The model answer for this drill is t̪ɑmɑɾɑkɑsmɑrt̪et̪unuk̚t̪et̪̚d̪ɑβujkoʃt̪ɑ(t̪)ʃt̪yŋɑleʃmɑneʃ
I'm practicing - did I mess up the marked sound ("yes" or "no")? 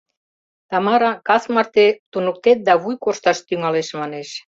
yes